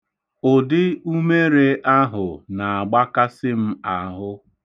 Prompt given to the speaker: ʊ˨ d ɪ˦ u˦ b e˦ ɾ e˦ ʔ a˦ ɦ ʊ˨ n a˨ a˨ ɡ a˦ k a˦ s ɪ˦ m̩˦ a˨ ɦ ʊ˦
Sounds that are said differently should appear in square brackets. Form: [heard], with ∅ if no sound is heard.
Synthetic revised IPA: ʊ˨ d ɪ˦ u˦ [m] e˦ ɾ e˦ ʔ a˦ ɦ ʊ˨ n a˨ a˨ [ɡ͡b] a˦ k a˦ s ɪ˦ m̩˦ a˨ ɦ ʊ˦